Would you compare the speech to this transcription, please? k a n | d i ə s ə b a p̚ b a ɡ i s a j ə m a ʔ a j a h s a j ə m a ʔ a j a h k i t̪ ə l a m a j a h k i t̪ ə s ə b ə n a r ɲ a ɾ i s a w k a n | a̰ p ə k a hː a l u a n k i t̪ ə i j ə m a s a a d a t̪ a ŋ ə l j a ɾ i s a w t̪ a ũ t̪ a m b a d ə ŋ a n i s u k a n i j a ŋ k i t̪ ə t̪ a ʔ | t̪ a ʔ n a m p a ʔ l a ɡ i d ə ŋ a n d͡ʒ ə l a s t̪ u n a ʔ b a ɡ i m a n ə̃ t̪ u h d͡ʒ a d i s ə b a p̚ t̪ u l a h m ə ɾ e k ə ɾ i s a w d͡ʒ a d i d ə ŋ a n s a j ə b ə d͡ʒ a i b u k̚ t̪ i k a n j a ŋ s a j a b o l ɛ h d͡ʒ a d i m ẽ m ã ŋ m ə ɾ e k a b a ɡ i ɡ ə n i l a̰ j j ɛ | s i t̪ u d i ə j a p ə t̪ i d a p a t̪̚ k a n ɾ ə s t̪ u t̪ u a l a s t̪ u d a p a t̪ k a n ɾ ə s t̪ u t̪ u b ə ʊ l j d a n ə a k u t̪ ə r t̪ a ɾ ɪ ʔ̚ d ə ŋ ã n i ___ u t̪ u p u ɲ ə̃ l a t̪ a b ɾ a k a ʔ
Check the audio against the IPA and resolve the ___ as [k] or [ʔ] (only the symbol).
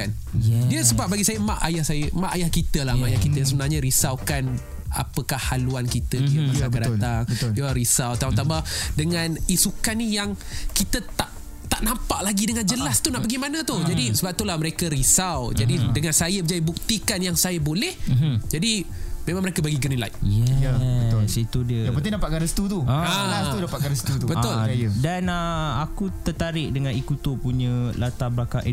k